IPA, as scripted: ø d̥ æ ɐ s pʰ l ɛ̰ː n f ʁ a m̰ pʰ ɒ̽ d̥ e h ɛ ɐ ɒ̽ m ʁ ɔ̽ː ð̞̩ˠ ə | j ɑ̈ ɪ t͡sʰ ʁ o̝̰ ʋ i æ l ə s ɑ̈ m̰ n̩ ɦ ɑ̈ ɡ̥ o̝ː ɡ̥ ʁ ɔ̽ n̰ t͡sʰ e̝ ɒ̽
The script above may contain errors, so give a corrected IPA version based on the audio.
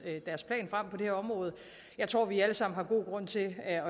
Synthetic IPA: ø d̥ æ ɐ s pʰ l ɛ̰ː n f ʁ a m̰ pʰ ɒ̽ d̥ e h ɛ ɐ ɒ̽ m ʁ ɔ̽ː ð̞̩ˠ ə | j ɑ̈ ɪ t͡sʰ ʁ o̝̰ ʋ i æ l ə s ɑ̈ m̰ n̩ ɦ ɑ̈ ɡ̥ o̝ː ɡ̥ ʁ ɔ̽ n̰ t͡sʰ e̝ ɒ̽